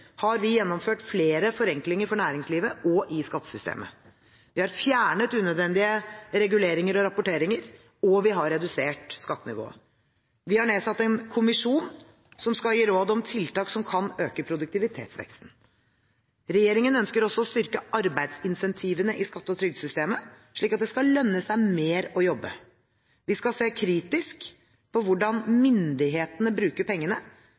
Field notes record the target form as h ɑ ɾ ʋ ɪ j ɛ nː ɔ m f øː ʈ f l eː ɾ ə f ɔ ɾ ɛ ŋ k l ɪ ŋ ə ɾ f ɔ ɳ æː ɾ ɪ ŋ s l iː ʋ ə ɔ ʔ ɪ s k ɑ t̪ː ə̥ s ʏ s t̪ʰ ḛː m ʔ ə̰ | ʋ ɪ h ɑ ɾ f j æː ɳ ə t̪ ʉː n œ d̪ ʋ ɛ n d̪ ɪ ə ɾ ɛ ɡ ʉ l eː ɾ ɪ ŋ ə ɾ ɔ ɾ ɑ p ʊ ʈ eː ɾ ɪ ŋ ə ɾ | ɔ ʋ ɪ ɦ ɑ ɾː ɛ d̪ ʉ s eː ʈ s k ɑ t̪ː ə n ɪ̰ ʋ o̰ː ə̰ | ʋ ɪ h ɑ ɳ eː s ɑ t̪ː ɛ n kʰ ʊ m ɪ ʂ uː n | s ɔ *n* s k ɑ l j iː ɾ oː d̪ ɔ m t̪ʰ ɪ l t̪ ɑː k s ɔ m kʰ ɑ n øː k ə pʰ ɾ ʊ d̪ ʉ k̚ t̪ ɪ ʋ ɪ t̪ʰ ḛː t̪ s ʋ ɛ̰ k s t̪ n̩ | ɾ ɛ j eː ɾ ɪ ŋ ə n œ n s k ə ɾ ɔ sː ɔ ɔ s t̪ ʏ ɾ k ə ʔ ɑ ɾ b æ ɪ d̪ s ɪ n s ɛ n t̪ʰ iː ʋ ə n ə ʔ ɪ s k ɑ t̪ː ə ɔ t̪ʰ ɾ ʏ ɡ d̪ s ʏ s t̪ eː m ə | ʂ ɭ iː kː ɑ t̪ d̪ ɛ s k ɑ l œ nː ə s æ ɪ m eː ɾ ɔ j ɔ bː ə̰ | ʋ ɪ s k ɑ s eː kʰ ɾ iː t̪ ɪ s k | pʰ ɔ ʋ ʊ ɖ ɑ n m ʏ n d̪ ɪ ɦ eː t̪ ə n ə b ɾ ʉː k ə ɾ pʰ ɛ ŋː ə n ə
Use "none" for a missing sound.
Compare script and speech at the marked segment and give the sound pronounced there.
m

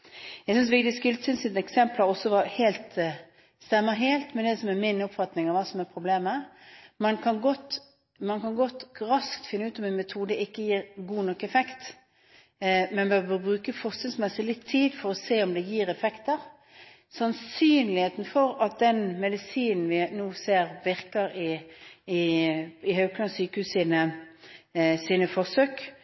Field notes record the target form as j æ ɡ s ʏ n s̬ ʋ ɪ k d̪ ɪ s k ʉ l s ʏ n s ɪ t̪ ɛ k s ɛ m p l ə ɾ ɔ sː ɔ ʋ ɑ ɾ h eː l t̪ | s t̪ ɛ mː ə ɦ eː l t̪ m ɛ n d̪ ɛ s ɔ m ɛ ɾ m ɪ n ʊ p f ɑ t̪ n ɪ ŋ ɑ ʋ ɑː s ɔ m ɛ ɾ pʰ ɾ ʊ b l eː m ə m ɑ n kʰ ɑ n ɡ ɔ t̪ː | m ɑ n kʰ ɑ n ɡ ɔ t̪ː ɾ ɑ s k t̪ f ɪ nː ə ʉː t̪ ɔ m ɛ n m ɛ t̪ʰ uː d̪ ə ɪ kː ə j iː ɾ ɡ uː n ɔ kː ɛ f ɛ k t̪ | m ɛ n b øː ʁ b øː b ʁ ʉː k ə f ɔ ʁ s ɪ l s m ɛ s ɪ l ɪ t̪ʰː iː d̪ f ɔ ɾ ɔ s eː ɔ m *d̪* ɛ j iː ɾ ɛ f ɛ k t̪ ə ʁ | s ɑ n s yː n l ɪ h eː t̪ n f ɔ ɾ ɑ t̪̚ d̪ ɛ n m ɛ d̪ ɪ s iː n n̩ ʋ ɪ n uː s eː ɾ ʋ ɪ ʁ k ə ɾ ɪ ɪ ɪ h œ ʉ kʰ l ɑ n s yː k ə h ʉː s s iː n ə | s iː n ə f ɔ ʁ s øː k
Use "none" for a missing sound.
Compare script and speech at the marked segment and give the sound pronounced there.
d̪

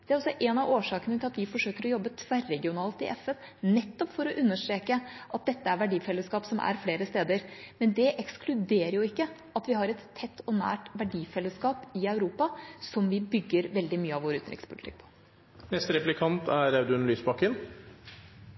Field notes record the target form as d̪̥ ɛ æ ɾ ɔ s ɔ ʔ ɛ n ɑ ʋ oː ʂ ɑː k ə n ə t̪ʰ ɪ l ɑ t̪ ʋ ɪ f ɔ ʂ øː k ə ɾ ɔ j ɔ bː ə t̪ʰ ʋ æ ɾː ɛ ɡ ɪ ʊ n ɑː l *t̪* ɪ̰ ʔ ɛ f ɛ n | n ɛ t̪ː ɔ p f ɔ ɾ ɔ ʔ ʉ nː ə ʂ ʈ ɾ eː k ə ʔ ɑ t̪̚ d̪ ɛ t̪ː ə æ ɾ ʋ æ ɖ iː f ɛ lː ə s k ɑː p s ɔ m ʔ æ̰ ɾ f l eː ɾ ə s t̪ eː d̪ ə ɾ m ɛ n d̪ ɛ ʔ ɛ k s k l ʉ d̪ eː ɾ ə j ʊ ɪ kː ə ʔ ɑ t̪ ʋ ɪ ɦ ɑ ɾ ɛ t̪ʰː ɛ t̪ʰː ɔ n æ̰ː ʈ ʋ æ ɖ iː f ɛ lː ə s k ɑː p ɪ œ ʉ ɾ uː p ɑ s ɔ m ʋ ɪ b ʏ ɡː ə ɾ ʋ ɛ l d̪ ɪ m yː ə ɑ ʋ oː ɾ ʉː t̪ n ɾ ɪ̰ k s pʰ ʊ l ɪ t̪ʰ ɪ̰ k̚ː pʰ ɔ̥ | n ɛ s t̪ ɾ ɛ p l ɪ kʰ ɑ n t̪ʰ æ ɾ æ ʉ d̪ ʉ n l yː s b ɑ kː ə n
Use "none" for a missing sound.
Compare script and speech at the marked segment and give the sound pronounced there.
t̪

